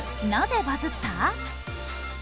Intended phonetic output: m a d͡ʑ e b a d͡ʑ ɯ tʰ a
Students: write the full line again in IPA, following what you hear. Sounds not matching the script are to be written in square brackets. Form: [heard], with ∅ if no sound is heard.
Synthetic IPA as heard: [n] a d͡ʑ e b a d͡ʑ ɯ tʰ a